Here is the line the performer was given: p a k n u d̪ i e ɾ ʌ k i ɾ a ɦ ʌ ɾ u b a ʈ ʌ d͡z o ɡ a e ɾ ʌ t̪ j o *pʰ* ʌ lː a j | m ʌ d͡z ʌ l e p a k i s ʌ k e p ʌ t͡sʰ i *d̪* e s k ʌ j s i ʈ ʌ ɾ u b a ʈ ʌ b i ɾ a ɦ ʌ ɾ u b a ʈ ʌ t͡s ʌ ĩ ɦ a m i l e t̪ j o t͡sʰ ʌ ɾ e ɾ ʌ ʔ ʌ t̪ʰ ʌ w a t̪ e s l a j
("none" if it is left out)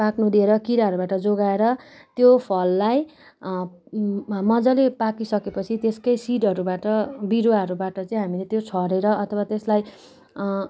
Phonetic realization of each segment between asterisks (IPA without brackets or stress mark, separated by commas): pʰ, t̪